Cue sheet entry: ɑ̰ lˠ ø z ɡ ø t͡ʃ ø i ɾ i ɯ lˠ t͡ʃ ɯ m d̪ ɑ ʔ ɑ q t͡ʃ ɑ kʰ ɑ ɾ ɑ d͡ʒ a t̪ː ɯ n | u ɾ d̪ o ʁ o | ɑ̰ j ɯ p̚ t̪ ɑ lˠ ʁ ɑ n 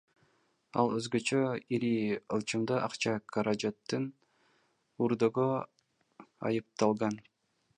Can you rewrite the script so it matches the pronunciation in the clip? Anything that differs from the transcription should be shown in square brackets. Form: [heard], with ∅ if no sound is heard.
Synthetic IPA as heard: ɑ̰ lˠ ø z ɡ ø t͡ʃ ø i ɾ i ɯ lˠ t͡ʃ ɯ m d̪ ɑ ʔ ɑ q t͡ʃ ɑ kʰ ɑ ɾ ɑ d͡ʒ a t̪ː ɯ n | u ɾ d̪ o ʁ o | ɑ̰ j ɯ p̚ t̪ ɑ lˠ ʁ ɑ n